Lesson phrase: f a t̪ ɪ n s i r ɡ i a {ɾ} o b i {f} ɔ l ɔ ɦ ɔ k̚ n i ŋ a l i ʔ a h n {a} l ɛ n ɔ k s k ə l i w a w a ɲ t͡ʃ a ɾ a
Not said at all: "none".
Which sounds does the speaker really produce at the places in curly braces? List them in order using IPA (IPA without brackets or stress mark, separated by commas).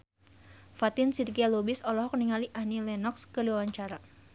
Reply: l, s, i